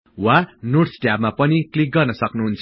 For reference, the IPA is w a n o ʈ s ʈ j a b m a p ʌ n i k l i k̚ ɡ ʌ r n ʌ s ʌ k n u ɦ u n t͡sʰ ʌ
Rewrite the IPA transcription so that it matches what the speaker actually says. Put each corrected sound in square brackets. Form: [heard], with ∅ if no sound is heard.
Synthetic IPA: w a n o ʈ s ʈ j a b m a p ʌ n i k l i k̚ ɡ ʌ r n ʌ s ʌ k n u ɦ u n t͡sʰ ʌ